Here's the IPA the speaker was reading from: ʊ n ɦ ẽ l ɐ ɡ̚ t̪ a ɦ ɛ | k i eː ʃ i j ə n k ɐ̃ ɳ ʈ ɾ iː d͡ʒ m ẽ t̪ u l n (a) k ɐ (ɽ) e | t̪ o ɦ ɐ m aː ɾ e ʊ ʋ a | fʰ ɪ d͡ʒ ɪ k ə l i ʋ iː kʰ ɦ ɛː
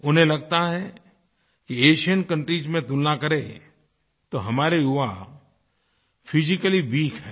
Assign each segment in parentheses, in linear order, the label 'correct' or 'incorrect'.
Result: correct, incorrect

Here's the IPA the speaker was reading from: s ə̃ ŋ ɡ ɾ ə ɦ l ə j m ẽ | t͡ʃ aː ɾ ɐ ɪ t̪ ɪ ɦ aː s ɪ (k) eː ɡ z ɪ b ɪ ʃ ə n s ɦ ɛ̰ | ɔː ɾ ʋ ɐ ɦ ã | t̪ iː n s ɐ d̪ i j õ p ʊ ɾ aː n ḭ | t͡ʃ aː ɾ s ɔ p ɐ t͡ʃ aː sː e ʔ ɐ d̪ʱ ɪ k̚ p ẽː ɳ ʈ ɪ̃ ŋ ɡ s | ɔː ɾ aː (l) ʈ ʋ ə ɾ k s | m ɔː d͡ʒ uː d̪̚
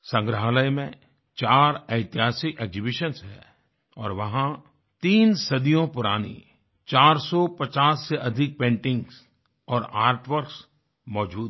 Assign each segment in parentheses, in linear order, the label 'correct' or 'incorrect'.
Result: correct, incorrect

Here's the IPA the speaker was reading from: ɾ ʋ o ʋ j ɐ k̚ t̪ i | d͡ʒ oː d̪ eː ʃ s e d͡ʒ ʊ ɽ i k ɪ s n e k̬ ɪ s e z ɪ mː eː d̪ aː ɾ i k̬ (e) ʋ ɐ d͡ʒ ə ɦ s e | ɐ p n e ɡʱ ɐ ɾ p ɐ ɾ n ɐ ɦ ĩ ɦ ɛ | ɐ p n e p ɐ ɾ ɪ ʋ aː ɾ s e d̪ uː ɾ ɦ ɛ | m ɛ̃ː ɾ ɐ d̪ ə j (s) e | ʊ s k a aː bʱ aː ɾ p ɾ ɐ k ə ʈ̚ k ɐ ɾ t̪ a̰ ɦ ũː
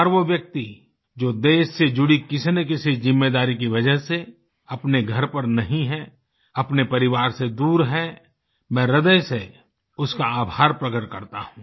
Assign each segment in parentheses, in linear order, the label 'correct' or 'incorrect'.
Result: incorrect, correct

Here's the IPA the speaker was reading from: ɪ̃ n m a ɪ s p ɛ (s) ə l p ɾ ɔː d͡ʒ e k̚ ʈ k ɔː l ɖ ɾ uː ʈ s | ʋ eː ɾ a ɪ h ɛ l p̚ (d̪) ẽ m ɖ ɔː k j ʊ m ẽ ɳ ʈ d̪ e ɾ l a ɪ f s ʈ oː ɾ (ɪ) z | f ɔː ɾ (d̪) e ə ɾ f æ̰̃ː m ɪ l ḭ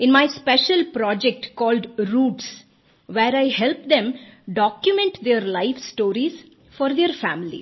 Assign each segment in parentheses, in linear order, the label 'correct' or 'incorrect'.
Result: incorrect, correct, incorrect, correct

